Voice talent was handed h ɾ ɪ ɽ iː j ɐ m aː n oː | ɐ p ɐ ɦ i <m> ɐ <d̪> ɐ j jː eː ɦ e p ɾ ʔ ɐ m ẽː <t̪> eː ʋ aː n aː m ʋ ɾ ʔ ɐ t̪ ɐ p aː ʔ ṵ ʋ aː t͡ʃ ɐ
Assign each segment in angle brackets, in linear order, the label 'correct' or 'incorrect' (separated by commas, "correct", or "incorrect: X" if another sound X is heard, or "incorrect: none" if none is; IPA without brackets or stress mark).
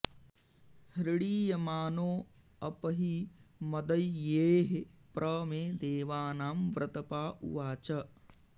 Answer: correct, correct, incorrect: d̪